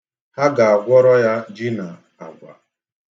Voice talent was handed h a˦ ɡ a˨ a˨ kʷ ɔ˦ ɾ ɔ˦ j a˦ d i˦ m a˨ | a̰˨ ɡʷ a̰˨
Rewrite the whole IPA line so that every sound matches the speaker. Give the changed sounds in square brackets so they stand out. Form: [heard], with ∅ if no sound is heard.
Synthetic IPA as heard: h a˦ ɡ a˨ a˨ [ɡʷ] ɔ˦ ɾ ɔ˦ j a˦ [d͡ʒ] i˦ [n] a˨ | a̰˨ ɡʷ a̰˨